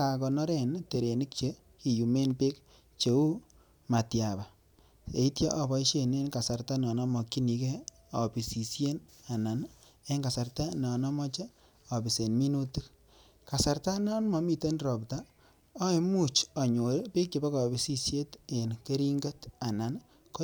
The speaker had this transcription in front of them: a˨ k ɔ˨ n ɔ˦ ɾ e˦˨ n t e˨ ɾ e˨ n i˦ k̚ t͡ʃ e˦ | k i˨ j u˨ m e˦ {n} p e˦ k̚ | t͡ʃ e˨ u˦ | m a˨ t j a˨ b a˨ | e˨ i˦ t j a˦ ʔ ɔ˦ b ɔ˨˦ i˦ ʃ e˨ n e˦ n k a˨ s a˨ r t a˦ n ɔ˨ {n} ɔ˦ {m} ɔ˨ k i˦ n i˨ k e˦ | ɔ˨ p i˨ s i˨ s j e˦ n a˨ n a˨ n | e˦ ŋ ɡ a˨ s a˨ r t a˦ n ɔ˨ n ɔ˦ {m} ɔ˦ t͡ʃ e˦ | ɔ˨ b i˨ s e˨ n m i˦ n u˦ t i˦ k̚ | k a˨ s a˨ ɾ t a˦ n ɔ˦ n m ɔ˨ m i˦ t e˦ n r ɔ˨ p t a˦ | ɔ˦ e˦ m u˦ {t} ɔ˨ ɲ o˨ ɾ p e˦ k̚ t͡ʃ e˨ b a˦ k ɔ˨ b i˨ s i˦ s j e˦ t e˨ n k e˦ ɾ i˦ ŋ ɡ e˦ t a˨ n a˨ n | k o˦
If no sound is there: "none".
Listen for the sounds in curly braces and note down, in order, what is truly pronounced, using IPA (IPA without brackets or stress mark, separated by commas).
n, n, m, m, t͡ʃ